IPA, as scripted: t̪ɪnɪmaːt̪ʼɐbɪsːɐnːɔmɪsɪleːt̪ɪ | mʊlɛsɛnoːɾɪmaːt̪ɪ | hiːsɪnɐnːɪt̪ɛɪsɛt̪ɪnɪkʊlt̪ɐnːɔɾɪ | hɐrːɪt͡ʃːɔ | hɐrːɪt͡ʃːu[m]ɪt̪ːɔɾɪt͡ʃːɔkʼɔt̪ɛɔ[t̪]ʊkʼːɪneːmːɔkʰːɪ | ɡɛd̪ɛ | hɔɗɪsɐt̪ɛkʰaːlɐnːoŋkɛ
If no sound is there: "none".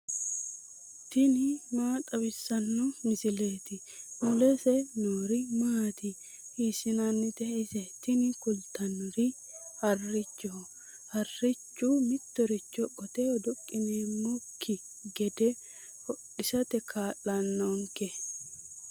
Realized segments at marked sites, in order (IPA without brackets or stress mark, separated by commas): m, d̪